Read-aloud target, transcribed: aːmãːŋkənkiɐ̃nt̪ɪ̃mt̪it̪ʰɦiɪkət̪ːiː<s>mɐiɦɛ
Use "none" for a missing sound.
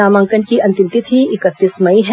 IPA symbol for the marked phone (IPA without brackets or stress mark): s